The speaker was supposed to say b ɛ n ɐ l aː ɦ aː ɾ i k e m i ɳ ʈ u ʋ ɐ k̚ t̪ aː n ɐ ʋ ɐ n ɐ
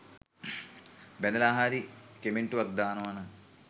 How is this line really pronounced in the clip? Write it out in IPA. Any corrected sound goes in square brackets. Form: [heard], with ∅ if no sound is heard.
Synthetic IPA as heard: b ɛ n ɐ l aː ɦ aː ɾ i k e m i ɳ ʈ u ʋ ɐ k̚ [d̪] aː n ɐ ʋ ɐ n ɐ